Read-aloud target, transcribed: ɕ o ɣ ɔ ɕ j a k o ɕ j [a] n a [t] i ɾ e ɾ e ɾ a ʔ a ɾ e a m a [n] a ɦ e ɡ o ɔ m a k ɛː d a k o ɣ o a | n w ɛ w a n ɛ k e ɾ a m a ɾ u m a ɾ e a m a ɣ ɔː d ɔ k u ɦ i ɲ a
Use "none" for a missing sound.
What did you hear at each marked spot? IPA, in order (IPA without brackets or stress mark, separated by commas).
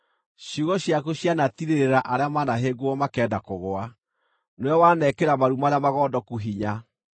a, t, n